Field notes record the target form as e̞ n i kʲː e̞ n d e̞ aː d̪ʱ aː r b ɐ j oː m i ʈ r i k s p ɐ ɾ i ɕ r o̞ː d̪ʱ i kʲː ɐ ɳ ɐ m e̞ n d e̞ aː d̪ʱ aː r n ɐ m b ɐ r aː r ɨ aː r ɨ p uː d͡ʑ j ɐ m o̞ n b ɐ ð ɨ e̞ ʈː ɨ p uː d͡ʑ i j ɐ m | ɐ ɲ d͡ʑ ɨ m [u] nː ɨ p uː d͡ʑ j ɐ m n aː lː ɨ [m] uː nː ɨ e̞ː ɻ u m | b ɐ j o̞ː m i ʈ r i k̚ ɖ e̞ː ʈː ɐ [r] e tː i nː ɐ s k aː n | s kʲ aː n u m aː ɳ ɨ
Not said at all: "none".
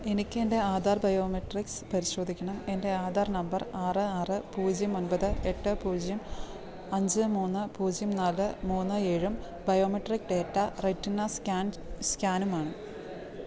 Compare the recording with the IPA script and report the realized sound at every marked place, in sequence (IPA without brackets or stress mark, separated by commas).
uː, m, r